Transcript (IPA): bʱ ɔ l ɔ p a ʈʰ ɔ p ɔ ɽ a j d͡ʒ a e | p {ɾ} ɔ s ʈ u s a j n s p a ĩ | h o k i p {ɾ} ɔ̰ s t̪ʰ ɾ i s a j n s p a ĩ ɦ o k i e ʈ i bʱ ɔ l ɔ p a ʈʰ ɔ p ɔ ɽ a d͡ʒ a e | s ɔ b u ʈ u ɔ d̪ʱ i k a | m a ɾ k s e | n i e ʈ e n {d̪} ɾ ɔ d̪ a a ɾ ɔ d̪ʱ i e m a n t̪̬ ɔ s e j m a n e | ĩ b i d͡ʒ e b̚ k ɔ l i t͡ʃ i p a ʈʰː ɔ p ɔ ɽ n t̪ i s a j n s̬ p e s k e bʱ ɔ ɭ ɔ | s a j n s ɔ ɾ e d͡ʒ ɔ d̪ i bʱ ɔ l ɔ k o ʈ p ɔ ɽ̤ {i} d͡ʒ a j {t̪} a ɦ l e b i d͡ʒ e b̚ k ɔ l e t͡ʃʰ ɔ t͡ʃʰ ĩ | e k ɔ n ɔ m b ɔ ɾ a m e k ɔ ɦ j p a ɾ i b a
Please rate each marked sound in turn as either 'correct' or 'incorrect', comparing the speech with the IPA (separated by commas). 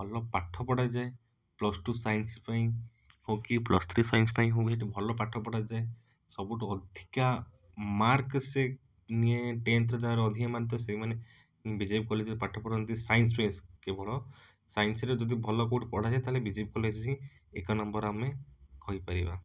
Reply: incorrect, incorrect, incorrect, incorrect, correct